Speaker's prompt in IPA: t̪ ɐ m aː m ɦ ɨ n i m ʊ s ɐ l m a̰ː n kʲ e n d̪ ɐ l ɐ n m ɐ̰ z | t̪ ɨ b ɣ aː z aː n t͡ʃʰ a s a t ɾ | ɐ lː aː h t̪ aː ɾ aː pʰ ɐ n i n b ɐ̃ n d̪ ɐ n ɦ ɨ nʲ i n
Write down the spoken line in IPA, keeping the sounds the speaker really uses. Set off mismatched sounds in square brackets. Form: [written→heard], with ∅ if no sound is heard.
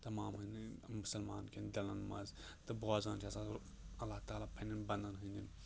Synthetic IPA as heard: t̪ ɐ m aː m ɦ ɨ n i m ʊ s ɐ l m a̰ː n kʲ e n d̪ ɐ l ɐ n m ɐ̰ z | t̪ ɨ b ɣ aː z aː n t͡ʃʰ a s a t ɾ | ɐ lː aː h t̪ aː [ɾ→l] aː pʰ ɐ n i n b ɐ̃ n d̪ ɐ n ɦ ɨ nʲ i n